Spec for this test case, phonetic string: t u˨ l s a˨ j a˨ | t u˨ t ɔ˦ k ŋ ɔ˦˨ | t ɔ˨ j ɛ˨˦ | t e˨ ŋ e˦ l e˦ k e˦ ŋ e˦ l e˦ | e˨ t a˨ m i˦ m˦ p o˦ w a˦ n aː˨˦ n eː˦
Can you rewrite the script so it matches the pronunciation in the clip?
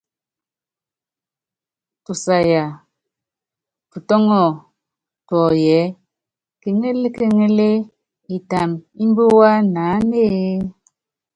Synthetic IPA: t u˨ s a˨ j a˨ | t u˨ t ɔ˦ ŋ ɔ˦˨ | t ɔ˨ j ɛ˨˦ | k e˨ ŋ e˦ l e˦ k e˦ ŋ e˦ l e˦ | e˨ t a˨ m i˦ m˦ b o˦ w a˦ n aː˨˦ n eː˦

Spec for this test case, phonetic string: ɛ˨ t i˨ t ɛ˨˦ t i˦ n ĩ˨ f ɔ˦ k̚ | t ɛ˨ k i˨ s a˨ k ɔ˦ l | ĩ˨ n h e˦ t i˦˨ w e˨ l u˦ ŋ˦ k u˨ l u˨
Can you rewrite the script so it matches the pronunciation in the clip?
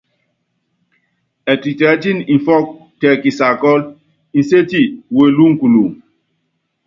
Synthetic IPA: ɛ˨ t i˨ t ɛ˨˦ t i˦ n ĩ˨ f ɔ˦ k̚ | t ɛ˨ k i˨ s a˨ k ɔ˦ l | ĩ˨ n s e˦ t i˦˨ w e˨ l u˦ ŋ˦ k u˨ l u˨

